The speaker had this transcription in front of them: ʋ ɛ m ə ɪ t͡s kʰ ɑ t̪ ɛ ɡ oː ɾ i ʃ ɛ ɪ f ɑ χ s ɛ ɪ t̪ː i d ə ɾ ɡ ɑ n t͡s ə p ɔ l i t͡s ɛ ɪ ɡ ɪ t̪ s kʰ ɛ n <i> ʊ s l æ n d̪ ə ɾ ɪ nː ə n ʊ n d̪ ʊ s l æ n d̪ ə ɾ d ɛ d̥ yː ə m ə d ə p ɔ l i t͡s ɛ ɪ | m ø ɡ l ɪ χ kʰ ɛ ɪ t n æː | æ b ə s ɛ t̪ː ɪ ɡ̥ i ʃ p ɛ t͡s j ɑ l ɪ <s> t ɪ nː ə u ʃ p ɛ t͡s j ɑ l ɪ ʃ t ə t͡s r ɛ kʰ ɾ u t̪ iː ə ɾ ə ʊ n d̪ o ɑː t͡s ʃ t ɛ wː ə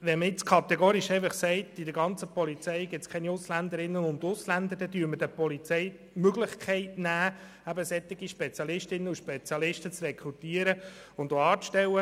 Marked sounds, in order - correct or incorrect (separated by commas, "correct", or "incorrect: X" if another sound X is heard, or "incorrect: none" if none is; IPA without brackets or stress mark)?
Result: correct, incorrect: ʃ